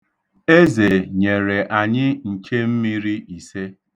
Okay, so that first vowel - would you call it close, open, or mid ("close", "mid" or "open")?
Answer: mid